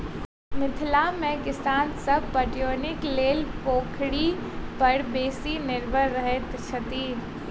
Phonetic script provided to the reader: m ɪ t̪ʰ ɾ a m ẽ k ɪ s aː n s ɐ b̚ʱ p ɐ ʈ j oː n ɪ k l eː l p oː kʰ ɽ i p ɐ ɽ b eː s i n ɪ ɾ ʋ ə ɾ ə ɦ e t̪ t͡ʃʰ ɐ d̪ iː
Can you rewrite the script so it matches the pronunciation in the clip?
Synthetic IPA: m ɪ t̪ʰ l a m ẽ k ɪ s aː n s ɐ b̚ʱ p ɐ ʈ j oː n ɪ k l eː l p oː kʰ ɽ i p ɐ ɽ b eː s i n ɪ ɾ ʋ ə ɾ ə ɦ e t̪ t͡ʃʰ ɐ t̪ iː